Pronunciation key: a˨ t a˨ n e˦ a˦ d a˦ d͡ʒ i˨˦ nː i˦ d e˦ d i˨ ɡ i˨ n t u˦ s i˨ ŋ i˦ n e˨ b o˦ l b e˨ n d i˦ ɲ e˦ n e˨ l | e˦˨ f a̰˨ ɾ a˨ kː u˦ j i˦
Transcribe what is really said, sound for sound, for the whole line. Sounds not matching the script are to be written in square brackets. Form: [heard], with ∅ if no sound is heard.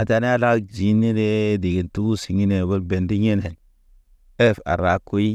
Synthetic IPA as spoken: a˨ t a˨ n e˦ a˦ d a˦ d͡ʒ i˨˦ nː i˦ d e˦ d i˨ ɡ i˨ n t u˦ s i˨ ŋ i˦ n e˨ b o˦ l b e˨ n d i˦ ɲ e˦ n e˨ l | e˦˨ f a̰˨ ɾ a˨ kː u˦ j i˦